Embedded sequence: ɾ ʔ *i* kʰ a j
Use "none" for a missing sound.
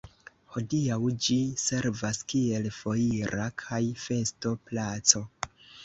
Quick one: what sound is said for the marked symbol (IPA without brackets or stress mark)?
a